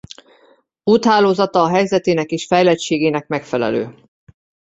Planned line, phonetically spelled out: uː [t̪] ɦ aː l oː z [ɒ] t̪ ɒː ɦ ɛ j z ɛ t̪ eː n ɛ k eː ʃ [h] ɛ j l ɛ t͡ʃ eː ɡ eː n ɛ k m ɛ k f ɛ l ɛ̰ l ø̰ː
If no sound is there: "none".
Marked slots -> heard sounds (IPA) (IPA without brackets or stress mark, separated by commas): t̪, ɒ, f